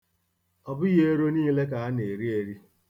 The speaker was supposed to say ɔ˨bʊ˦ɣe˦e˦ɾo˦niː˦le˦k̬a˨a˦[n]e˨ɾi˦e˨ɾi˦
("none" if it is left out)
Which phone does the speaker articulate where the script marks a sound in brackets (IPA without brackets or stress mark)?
n